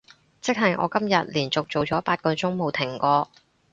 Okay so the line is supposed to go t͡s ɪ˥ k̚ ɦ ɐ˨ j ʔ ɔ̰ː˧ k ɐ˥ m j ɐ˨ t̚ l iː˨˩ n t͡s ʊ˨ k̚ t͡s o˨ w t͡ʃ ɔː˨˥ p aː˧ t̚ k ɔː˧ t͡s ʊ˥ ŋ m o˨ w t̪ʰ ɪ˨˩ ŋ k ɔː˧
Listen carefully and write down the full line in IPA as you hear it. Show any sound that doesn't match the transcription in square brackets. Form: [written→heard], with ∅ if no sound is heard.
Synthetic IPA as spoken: t͡s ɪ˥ k̚ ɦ ɐ˨ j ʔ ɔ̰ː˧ k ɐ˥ m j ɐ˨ t̚ l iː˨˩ n t͡s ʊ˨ k̚ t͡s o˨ w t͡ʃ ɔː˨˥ p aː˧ t̚ k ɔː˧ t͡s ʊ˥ ŋ m o˨ w t̪ʰ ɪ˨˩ ŋ k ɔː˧